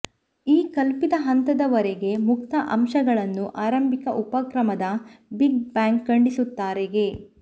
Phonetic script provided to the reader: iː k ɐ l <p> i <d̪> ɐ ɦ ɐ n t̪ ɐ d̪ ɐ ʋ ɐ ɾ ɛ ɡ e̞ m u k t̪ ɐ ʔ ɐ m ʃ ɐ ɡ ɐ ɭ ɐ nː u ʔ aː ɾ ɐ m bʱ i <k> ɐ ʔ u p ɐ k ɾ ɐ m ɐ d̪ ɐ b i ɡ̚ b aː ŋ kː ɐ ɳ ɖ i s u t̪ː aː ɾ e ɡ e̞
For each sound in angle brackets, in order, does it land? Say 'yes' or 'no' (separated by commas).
yes, yes, yes